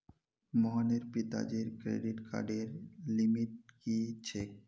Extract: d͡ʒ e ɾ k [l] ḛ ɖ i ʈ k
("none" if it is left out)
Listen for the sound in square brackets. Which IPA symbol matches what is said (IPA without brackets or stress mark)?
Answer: ɾ